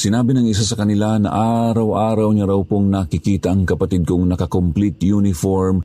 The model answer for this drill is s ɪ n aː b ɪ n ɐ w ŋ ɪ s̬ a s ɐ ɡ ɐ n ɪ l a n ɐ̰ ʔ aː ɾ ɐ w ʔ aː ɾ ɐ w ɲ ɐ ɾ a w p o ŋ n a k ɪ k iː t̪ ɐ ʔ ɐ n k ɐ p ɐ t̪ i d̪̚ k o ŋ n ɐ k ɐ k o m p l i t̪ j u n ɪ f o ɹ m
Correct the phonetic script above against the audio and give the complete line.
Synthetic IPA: s ɪ n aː b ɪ n ɐ ŋ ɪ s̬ a s ɐ k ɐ n ɪ l a n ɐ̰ ʔ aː ɾ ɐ w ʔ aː ɾ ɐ w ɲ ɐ ɾ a w p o ŋ n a k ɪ k iː t̪ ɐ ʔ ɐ ŋ k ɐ p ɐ t̪ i d̪̚ k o ŋ n ɐ k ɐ k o m p l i t̪ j u n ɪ f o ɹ m